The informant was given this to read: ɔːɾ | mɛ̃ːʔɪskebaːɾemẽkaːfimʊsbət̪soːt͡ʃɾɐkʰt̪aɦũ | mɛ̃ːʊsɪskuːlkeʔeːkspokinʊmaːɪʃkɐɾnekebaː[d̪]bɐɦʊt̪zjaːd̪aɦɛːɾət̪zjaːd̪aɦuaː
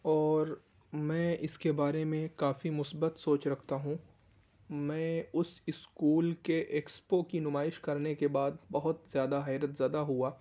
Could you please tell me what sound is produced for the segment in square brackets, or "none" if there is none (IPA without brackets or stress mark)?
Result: d̪